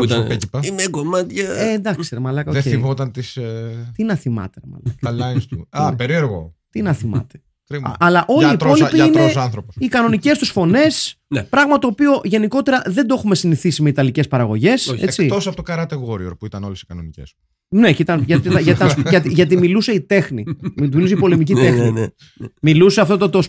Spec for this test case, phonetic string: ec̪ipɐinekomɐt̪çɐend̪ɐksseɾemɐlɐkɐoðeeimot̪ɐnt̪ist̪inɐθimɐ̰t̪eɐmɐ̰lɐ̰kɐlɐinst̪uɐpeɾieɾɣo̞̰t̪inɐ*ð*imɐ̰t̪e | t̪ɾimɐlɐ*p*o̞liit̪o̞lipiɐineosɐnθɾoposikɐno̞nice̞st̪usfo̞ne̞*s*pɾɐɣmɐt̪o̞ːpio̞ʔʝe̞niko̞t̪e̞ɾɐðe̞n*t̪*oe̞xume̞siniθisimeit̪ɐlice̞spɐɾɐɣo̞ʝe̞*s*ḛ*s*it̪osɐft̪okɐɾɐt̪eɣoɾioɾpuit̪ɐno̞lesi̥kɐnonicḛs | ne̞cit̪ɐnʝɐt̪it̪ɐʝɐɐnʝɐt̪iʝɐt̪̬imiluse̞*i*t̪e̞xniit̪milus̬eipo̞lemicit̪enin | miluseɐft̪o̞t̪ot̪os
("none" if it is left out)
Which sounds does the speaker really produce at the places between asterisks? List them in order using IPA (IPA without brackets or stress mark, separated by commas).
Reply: θ, ʔ, s, d̪, s, t͡s, i